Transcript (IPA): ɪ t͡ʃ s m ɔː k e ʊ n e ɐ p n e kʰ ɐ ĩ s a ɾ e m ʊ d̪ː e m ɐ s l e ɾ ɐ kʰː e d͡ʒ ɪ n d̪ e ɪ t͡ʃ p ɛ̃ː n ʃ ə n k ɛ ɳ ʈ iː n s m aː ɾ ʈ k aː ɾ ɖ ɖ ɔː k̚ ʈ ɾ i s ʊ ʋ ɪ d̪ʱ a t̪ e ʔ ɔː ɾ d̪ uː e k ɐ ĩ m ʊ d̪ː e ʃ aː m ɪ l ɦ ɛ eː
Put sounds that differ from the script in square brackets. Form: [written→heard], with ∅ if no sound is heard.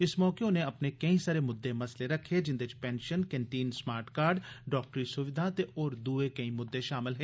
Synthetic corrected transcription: ɪ [t͡ʃ→∅] s m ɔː k e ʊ n e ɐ p n e [kʰ→k] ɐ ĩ s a ɾ e m ʊ d̪ː e m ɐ s l e ɾ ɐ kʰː e d͡ʒ ɪ n d̪ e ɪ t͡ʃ p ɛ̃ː n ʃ ə n k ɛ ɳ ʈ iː n s m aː ɾ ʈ k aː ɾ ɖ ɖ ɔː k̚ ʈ ɾ i s ʊ ʋ ɪ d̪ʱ a t̪ e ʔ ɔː ɾ d̪ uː e k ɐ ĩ m ʊ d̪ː e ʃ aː m ɪ l ɦ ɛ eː